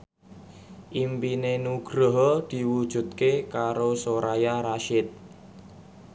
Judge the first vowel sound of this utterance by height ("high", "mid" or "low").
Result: high